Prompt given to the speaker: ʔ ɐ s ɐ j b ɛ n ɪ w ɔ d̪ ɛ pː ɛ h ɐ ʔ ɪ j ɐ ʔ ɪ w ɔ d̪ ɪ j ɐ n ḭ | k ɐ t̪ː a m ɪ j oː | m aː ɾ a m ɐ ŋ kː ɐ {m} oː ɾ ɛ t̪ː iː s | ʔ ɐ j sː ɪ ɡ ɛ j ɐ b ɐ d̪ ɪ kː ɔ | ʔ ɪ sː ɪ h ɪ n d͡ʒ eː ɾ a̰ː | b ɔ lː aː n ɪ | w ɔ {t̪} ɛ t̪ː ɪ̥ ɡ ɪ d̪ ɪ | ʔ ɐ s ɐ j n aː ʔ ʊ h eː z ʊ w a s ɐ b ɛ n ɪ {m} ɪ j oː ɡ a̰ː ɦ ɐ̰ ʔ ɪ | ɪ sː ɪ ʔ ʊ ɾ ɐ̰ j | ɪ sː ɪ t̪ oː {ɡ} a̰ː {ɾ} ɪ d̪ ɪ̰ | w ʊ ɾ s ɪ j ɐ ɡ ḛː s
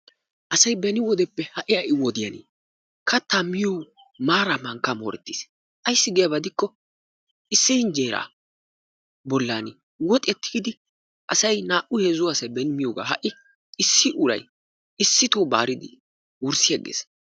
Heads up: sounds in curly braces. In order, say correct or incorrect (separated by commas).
correct, incorrect, correct, incorrect, correct